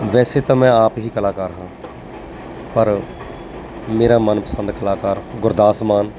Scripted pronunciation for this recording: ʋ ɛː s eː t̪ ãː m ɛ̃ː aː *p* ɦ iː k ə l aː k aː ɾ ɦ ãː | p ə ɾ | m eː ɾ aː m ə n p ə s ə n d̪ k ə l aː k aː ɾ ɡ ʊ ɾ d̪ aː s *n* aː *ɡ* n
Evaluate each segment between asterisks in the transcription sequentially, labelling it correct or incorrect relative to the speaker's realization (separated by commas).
correct, incorrect, incorrect